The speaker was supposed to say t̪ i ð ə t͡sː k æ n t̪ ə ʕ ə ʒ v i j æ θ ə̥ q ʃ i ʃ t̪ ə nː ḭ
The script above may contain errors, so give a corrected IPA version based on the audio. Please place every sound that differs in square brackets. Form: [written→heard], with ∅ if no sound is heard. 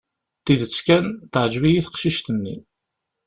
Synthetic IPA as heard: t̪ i ð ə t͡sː k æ n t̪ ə ʕ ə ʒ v i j [æ→i] θ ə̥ q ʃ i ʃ t̪ ə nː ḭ